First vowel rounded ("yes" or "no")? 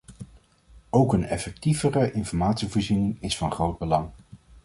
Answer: yes